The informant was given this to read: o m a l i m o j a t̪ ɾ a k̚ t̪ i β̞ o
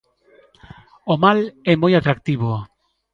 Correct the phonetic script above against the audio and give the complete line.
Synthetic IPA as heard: o m a l ɛ m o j a t̪ ɾ a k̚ t̪ i β̞ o